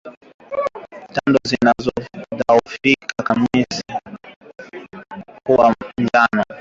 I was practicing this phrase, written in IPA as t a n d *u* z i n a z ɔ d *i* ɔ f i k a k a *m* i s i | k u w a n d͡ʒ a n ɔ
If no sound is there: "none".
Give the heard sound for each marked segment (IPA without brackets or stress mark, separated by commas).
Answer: ɔ, a, m